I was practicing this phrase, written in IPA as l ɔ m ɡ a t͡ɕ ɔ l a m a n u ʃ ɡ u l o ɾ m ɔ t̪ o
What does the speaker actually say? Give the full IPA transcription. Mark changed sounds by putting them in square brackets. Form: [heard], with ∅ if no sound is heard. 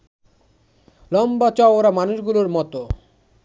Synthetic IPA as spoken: l ɔ m [b] a t͡ɕ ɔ [ɾ] a m a n u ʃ ɡ u l o ɾ m ɔ t̪ o

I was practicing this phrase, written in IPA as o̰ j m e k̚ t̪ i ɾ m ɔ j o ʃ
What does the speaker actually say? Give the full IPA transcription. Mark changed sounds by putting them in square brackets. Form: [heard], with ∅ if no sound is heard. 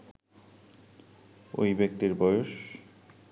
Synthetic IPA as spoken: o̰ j [b] e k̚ t̪ i ɾ [b] ɔ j o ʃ

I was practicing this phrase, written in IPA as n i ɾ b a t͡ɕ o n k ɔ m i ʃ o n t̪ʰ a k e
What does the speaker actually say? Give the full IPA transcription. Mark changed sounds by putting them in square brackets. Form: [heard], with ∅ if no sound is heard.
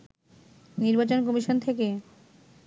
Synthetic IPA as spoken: n i ɾ b a t͡ɕ o n k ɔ m i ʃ o n t̪ʰ [e] k e

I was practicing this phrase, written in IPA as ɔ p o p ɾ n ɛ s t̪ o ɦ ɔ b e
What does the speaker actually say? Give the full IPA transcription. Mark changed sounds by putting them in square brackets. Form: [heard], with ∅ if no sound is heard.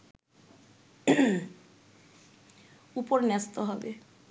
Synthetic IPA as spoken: [u] p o [∅] ɾ n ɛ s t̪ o ɦ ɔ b e

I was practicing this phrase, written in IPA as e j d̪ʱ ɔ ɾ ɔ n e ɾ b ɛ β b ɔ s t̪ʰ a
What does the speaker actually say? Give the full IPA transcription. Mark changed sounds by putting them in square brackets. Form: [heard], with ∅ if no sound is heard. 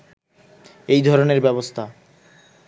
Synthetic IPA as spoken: e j d̪ʱ ɔ ɾ [o] n e ɾ b ɛ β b [o] s t̪ʰ a

